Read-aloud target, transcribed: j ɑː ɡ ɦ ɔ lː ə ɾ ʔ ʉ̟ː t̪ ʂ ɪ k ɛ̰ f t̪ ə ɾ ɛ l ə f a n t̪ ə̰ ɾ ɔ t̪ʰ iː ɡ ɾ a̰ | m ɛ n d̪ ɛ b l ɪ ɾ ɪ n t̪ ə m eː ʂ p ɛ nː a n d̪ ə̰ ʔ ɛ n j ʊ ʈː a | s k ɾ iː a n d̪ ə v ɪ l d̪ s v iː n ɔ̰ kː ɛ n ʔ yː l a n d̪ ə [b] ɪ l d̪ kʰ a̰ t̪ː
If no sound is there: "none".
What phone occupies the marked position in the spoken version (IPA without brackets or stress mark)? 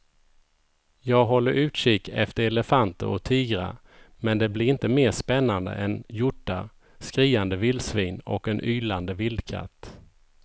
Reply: v